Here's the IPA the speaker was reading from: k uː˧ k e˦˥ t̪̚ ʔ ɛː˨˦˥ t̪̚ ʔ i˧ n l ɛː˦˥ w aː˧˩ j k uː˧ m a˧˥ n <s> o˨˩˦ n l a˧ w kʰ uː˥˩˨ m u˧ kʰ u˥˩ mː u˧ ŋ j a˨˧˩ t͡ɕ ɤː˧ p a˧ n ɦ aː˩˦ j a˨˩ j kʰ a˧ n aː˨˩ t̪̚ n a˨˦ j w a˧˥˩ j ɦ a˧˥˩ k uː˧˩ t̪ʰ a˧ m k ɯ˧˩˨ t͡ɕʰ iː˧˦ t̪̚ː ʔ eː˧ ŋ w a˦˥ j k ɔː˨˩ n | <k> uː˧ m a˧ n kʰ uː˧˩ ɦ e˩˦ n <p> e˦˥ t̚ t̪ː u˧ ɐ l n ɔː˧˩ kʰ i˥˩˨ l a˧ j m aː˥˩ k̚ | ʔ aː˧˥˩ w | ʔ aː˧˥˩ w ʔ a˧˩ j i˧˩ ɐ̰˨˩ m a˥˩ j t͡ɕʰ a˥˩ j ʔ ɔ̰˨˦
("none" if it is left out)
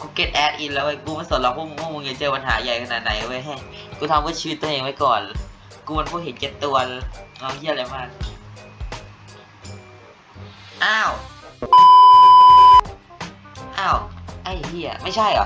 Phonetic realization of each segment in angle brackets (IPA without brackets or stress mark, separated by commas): s, k, k